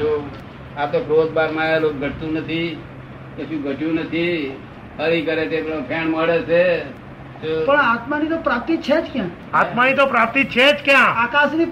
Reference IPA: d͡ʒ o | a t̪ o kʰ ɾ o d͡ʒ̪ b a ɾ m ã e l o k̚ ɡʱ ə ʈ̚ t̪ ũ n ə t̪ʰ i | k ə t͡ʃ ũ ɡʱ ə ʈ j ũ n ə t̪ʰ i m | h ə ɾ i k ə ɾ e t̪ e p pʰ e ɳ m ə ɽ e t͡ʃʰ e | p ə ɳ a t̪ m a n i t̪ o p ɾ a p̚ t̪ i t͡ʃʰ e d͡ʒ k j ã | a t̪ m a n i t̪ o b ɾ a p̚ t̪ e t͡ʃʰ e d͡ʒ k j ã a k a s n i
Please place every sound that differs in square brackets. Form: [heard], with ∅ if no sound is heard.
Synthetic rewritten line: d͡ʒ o | a t̪ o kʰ ɾ o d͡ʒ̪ b a ɾ m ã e l o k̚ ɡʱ ə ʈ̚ t̪ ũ n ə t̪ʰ i | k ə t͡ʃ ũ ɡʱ ə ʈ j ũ n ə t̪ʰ i [∅] | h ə ɾ i k ə ɾ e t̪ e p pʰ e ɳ m ə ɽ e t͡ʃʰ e | p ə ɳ a t̪ m a n i t̪ o p ɾ a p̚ t̪ i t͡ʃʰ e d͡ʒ k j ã | a t̪ m a n i t̪ o [p] ɾ a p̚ t̪ [i] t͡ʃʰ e d͡ʒ k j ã a k a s n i